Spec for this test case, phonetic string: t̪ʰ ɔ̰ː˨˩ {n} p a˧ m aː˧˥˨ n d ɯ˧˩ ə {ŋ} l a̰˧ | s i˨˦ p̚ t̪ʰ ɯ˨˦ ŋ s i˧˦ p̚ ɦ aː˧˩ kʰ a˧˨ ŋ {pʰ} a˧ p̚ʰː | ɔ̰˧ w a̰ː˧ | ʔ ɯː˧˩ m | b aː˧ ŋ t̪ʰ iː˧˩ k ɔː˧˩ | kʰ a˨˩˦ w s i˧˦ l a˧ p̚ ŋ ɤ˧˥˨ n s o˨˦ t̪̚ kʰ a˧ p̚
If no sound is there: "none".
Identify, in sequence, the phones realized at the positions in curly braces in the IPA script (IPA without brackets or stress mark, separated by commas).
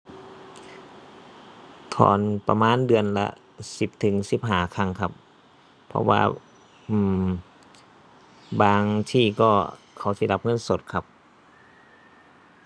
n, n, kʰ